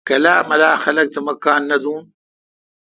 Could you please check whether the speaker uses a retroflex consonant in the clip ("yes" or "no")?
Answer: no